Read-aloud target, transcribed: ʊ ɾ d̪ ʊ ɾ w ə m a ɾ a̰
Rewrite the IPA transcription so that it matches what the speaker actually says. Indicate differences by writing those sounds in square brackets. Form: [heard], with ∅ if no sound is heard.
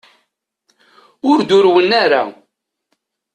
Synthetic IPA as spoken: ʊ ɾ d̪ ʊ ɾ w ə [n] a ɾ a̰